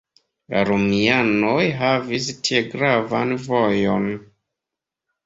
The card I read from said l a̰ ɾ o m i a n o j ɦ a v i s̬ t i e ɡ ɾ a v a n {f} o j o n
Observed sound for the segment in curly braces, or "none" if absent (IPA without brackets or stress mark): v